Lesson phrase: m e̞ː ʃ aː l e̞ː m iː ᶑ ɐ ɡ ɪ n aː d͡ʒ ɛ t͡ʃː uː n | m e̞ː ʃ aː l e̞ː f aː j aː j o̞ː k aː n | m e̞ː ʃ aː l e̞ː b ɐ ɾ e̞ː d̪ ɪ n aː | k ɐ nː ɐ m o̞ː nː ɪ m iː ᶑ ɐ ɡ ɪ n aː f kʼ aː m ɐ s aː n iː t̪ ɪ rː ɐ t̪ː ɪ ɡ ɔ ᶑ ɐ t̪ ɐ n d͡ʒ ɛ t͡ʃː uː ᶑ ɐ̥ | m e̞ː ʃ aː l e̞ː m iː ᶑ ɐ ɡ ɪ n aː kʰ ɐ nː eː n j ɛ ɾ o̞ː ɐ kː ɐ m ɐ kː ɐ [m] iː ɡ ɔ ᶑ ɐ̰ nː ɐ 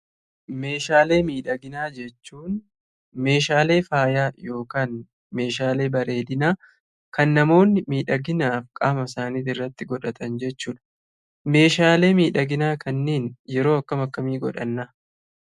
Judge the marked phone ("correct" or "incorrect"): correct